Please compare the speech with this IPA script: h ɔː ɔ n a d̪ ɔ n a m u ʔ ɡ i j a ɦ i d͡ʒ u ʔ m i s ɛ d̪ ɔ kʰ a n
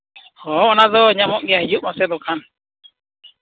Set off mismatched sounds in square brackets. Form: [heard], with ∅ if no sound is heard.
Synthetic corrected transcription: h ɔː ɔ n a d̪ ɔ [ɲ] a m [ɔ] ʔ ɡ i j a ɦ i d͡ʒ u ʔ m [a] s ɛ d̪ ɔ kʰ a n